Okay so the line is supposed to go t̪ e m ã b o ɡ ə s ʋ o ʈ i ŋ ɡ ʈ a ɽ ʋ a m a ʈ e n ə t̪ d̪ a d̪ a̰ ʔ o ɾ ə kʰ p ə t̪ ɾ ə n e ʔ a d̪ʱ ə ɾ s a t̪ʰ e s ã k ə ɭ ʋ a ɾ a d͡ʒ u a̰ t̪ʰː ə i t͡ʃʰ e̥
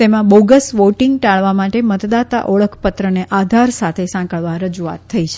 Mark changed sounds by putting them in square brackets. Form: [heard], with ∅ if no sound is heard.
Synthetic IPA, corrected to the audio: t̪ e m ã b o ɡ ə s ʋ o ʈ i ŋ ɡ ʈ a [ɭ] ʋ a m a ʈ e [m] ə t̪ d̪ a [t̪] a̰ ʔ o [ɭ] ə kʰ p ə t̪ ɾ ə n e ʔ a d̪ʱ [a] ɾ s a t̪ʰ e s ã k ə ɭ ʋ a ɾ [ə] d͡ʒ u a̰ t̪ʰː ə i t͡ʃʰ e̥